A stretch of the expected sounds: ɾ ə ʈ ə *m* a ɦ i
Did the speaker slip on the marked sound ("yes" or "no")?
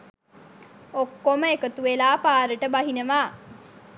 yes